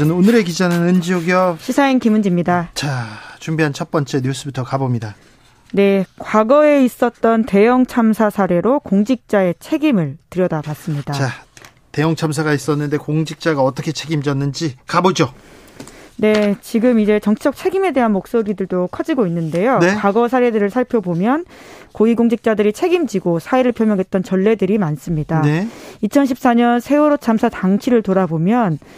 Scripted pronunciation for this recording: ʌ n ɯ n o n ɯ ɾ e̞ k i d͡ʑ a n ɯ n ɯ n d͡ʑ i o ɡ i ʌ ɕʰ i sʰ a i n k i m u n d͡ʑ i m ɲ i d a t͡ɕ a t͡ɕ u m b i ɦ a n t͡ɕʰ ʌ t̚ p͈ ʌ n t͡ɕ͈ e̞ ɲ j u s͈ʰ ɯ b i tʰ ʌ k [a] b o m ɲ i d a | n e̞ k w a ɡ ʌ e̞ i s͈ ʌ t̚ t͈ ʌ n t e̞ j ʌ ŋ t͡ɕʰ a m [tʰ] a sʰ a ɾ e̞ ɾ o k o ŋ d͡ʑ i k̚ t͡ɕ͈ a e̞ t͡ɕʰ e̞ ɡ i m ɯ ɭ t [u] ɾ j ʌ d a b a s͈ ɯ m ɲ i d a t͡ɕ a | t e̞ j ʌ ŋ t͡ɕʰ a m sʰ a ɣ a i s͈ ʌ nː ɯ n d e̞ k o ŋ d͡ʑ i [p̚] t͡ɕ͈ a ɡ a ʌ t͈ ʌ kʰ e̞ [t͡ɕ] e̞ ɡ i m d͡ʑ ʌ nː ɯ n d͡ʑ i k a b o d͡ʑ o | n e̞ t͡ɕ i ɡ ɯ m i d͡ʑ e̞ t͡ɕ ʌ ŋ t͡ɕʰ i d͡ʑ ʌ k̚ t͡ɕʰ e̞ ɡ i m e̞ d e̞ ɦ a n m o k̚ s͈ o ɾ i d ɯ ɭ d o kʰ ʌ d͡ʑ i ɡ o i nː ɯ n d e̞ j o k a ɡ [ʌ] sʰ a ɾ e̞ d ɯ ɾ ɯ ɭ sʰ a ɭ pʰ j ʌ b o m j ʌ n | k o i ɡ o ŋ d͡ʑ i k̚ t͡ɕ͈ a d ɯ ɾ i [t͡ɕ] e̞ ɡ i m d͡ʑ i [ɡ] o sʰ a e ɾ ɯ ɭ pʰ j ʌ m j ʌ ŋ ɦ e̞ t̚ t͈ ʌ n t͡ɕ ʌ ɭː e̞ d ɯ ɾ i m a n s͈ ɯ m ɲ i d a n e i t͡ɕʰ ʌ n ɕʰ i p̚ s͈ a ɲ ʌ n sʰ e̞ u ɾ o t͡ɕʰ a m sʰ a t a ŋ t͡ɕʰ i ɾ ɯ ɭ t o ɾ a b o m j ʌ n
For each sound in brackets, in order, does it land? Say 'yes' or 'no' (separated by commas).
yes, no, no, no, no, yes, no, yes